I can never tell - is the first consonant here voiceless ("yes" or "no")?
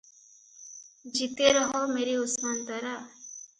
no